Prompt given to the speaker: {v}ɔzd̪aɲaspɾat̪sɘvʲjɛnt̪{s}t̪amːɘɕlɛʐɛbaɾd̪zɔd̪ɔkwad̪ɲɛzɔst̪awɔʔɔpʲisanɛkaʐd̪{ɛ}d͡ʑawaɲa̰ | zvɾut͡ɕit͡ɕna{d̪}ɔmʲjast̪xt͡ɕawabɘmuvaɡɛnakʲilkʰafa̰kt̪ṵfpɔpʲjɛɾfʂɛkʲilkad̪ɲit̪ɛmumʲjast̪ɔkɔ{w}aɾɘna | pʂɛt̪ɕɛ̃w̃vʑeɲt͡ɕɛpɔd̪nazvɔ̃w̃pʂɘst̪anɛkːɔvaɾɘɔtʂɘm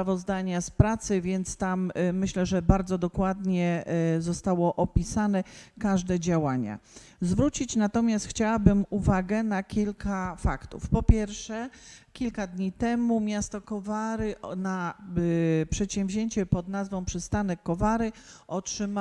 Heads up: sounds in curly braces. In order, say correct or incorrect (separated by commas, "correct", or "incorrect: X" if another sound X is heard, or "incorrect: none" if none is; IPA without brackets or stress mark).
correct, correct, correct, incorrect: t̪, incorrect: v